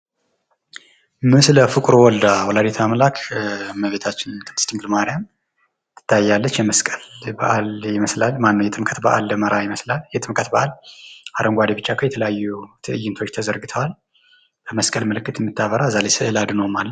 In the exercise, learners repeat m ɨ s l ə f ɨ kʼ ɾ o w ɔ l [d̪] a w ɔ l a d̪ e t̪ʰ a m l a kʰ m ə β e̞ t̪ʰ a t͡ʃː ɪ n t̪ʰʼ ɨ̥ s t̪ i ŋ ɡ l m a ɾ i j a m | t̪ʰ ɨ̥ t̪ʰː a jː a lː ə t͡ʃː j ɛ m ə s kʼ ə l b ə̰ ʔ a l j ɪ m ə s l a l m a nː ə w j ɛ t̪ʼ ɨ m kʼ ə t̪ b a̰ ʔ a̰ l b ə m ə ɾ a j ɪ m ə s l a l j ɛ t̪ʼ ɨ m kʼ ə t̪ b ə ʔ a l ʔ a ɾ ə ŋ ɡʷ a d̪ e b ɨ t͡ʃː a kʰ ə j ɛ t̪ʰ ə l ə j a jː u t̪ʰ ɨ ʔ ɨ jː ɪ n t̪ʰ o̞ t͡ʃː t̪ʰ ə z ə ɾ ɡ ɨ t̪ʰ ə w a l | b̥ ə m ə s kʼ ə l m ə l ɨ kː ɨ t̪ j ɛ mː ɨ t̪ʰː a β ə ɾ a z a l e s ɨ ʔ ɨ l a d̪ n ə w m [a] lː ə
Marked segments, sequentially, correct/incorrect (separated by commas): correct, correct